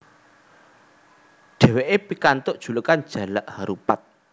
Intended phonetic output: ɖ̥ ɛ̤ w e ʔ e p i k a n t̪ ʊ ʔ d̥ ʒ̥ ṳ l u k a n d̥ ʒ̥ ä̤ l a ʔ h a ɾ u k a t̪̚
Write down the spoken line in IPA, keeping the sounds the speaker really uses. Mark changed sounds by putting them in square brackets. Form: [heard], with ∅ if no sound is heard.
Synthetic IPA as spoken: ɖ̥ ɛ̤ w e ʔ e p i k a n t̪ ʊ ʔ d̥ ʒ̥ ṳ l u k a n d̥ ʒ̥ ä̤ l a ʔ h a ɾ u [p] a t̪̚